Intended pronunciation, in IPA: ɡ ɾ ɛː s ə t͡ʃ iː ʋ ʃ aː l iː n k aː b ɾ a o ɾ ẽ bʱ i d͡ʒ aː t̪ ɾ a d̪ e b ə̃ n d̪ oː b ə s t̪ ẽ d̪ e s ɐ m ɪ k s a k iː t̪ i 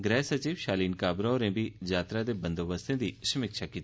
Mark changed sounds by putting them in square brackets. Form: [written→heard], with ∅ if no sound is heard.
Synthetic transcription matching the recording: ɡ ɾ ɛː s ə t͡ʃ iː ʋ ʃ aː l iː n k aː b ɾ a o ɾ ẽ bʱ i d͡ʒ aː t̪ ɾ a d̪ e b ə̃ n d̪ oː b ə s t̪ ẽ d̪ [e→i] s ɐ m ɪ k [s→ʃ] a k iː t̪ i